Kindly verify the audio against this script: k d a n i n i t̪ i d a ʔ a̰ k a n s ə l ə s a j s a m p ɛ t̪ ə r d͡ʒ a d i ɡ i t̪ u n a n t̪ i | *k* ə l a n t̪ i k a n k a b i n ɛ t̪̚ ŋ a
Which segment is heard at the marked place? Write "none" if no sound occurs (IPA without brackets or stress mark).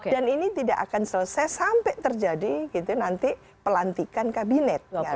p